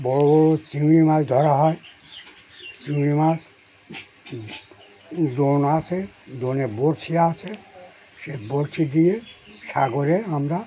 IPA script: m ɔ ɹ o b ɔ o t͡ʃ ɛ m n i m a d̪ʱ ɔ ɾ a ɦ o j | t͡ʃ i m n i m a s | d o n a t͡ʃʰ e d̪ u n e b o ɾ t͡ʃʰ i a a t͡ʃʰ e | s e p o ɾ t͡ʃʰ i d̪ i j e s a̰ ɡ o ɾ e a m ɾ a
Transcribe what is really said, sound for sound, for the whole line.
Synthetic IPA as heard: b ɔ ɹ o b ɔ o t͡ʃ i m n i m a d̪ʱ ɔ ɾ a ɦ ɔ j | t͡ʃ i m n i m a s | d o n a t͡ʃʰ e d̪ o n e b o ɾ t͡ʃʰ i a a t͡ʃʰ e | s e b o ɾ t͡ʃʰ i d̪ i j e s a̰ ɡ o ɾ e a m ɾ a